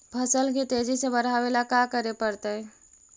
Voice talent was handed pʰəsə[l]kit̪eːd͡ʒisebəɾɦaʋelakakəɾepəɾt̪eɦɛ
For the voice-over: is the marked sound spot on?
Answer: yes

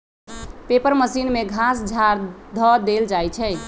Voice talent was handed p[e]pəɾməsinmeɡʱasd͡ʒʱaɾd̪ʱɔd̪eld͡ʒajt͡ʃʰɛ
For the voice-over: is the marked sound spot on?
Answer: yes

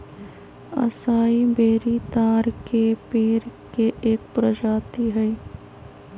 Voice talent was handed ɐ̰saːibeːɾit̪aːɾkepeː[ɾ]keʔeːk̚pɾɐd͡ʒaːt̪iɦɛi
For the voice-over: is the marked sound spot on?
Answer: yes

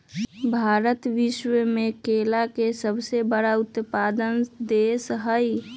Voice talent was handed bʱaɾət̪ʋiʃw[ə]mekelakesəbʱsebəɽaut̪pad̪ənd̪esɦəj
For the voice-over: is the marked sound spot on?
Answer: yes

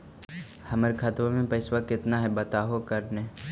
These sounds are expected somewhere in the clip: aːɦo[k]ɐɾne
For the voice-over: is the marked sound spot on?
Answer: yes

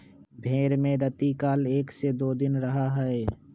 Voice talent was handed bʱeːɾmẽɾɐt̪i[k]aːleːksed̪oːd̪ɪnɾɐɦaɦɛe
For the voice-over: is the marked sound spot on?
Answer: yes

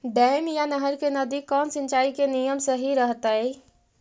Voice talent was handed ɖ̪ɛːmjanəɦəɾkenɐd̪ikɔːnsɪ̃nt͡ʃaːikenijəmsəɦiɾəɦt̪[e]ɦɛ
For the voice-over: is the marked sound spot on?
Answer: no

